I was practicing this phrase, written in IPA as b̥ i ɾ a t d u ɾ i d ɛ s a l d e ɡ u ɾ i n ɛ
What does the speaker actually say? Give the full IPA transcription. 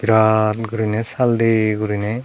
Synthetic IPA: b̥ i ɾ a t ɡ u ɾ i n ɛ s a l d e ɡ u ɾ i n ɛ